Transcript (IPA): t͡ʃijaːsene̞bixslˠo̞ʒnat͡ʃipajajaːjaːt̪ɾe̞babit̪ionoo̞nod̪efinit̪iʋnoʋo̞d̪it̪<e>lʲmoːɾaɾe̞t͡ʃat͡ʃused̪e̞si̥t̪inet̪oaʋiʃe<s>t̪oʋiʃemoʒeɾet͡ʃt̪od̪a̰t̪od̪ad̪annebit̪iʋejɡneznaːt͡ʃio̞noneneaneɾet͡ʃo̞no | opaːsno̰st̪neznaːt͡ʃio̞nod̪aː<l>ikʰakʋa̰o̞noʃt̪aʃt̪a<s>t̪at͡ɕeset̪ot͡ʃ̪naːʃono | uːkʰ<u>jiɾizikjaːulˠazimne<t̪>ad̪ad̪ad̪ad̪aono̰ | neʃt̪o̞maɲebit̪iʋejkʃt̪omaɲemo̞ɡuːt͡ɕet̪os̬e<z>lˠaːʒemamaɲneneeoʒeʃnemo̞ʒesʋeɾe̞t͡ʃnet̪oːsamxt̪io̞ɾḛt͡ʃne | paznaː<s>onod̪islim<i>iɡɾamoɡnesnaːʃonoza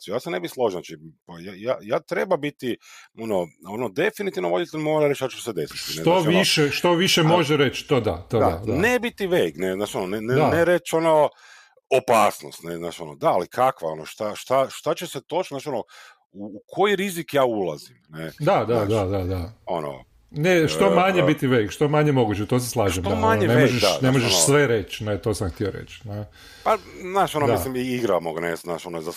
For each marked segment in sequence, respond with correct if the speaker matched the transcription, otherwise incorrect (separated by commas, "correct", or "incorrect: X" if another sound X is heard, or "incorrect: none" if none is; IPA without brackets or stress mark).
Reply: correct, incorrect: ʃ, correct, incorrect: ʃ, incorrect: o, incorrect: d̪, incorrect: s, incorrect: ʃ, correct